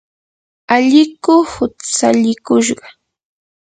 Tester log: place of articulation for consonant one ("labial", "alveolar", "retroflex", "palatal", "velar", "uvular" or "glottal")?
palatal